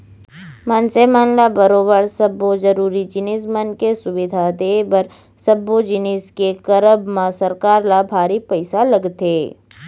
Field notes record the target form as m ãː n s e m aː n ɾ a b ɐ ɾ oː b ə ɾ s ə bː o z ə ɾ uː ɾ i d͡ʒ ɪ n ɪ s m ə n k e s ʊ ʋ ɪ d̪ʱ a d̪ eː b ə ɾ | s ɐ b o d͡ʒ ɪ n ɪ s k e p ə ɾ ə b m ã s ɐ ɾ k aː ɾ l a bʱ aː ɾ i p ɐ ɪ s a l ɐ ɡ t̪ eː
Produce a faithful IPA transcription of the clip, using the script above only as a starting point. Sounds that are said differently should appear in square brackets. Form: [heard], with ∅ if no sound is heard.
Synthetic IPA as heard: m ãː n s e m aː n [l] a b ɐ ɾ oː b ə ɾ s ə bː o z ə ɾ uː ɾ i d͡ʒ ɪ n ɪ s m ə n k e s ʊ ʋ ɪ d̪ʱ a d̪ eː b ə ɾ | s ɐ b o d͡ʒ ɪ n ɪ s k e [k] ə ɾ ə b m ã s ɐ ɾ k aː ɾ l a bʱ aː ɾ i p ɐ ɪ s a l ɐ ɡ t̪ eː